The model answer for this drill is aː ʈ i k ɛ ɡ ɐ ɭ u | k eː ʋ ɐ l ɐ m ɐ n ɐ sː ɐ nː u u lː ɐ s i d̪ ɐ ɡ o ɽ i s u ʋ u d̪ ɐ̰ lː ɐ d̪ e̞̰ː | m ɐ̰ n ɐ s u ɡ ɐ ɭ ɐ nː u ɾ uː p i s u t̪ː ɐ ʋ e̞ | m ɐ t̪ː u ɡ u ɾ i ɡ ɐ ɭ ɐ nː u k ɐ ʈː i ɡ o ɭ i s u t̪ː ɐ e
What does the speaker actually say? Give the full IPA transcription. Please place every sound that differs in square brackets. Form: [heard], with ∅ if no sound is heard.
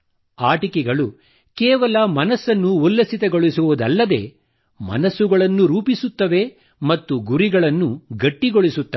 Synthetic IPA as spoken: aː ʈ i k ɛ ɡ ɐ ɭ u | k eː ʋ ɐ l ɐ m ɐ n ɐ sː ɐ nː u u lː ɐ s i [t̪] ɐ ɡ o [ɭ] i s u ʋ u d̪ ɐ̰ lː ɐ d̪ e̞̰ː | m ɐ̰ n ɐ s u ɡ ɐ ɭ ɐ nː u ɾ uː p i s u t̪ː ɐ ʋ e̞ | m ɐ t̪ː u ɡ u ɾ i ɡ ɐ ɭ ɐ nː u [ɡ] ɐ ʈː i ɡ o ɭ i s u t̪ː ɐ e